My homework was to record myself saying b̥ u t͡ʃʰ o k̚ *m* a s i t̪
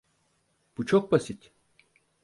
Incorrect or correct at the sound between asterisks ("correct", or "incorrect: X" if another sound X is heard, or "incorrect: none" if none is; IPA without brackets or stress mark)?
incorrect: b